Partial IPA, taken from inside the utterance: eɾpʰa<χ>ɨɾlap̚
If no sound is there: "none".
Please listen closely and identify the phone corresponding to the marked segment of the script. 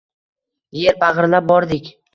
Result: ʁ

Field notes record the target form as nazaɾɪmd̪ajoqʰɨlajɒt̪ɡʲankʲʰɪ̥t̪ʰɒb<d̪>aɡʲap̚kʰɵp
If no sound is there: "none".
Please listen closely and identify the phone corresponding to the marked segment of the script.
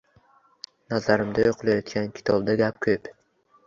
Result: d̪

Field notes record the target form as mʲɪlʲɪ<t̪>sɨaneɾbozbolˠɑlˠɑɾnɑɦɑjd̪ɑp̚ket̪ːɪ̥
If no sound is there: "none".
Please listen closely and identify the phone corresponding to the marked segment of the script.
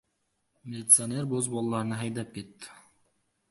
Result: t̪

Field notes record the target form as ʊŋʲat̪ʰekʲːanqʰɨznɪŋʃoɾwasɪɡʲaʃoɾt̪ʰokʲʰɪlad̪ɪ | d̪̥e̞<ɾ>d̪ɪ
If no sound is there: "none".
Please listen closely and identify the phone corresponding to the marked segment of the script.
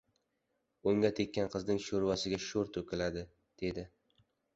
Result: none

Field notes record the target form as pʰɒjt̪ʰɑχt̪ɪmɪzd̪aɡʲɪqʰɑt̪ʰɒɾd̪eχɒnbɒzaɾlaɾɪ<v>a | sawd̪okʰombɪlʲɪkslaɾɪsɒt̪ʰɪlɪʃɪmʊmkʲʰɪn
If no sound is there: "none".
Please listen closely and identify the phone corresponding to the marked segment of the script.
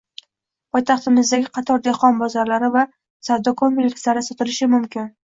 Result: v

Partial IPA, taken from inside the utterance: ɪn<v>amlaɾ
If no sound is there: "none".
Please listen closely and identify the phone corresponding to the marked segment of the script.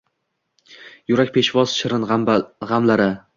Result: ʁ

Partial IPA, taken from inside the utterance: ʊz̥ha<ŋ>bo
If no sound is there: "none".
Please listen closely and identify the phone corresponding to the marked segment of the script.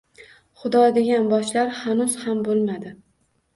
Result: m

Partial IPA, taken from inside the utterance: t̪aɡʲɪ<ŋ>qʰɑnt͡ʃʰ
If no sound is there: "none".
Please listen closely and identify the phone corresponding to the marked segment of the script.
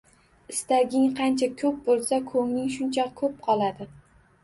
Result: ŋ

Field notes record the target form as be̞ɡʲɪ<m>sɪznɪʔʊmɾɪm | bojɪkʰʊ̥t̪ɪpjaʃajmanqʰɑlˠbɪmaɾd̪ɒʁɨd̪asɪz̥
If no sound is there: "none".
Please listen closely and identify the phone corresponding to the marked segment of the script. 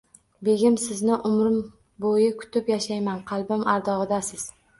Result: m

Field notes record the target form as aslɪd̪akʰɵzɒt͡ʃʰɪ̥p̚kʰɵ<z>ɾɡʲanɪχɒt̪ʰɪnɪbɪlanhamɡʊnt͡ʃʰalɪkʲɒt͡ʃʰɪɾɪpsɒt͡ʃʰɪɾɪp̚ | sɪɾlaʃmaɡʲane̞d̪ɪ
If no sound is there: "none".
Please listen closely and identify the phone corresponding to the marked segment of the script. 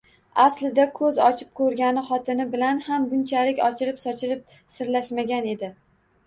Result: none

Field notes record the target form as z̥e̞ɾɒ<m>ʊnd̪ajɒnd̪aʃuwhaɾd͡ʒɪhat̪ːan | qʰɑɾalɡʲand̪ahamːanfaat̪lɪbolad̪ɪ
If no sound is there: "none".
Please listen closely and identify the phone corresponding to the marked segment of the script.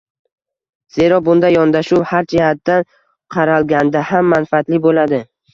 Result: b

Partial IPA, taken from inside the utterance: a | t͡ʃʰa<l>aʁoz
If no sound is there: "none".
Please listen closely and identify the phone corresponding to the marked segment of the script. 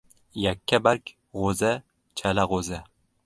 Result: l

